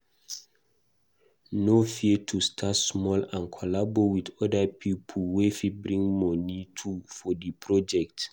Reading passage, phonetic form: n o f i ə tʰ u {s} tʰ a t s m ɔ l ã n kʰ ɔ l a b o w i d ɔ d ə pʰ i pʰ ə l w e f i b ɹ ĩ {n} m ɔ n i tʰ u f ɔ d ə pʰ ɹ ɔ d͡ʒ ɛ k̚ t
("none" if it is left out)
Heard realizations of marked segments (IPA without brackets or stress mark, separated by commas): s, ŋ